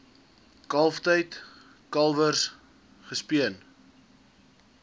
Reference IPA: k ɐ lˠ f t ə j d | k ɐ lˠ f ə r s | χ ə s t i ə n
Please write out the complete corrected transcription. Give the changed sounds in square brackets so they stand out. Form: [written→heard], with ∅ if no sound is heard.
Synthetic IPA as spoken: k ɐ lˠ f t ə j [d→t] | k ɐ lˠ [f→v] ə r s | χ ə s [t→p] i ə n